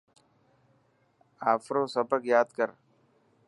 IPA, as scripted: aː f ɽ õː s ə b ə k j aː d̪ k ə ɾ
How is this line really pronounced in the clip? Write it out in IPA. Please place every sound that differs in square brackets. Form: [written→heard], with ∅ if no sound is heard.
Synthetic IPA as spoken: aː f [ɽ→ɾ] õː s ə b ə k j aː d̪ k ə ɾ